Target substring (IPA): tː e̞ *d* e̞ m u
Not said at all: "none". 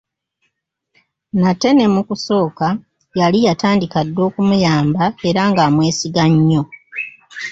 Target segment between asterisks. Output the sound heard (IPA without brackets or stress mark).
n